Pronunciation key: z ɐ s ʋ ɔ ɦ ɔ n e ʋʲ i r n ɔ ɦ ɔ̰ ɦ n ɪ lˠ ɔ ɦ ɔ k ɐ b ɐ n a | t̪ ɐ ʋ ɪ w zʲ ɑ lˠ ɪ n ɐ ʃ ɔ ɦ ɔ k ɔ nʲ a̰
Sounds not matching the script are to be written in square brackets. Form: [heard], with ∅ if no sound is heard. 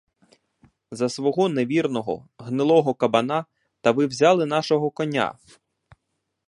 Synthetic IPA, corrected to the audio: z ɐ s ʋ ɔ ɦ ɔ n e ʋʲ i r n ɔ ɦ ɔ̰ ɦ n ɪ lˠ ɔ ɦ ɔ k ɐ b ɐ n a | t̪ ɐ ʋ ɪ w zʲ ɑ lˠ ɪ n [ɑ] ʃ ɔ ɦ ɔ k ɔ nʲ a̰